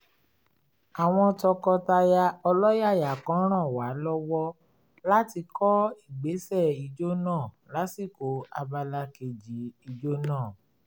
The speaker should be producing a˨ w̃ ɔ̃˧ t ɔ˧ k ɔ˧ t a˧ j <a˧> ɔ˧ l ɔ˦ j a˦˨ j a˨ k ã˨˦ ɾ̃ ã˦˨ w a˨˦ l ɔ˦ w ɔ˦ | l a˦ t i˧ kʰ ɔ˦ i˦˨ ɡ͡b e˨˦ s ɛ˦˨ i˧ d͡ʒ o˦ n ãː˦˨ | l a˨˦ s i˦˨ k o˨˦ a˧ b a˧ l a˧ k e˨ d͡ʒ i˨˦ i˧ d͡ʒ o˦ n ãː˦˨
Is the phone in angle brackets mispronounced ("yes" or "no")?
no